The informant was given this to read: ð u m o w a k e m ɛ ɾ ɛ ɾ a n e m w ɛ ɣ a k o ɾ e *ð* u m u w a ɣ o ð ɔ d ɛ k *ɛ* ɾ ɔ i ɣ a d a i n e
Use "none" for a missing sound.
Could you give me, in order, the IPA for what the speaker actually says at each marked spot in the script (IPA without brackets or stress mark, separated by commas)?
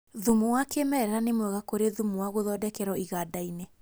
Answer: ð, ɛ